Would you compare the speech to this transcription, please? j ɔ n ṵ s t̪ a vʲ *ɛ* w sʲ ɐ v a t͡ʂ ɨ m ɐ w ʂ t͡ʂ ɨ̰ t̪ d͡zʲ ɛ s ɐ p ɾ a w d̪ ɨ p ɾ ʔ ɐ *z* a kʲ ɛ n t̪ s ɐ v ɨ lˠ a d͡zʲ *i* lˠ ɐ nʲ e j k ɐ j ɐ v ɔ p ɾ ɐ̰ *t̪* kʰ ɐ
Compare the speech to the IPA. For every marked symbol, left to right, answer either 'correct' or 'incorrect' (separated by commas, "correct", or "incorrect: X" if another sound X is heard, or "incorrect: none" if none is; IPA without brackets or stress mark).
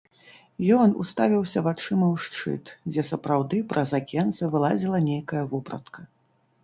incorrect: i, correct, correct, correct